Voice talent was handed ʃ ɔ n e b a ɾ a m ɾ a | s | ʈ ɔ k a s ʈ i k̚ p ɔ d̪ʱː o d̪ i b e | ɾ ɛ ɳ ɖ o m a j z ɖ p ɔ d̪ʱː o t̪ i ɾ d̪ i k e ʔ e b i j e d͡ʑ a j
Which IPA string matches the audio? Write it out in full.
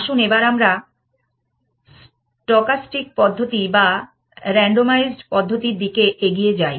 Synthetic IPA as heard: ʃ u n e b a ɾ a m ɾ a | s | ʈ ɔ k a s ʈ i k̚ p ɔ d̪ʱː o t̪ i b a | ɾ ɛ ɳ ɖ o m a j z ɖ p ɔ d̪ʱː o t̪ i ɾ d̪ i k e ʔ e ɡ i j e d͡ʑ a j